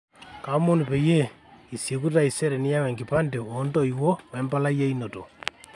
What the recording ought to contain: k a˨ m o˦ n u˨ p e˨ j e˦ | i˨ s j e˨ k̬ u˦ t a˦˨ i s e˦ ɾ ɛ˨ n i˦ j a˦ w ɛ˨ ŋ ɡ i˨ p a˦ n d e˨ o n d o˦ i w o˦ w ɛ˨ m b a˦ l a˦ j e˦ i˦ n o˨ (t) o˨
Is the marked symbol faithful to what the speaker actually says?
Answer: yes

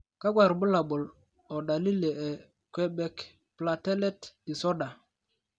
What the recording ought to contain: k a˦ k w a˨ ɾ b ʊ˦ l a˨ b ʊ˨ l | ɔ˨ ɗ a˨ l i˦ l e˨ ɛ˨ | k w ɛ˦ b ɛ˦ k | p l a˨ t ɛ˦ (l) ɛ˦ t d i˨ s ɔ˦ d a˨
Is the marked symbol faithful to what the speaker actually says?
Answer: yes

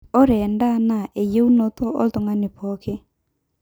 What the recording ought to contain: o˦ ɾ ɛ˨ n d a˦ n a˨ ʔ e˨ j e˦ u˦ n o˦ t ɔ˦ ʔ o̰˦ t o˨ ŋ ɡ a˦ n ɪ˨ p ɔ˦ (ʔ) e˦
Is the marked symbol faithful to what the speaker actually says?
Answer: no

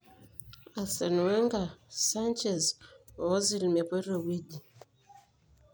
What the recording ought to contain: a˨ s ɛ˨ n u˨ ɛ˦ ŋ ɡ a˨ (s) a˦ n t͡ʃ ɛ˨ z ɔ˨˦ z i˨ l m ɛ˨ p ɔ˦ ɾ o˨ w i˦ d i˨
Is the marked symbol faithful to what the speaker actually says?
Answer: yes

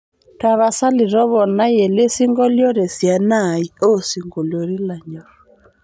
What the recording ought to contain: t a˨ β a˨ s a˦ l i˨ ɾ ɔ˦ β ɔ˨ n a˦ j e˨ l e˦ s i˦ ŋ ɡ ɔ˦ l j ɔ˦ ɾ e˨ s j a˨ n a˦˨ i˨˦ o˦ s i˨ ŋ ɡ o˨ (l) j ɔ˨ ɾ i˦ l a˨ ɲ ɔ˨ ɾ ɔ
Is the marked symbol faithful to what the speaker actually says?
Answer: yes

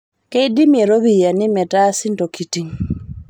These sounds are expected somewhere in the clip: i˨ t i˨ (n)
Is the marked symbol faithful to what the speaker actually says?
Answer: no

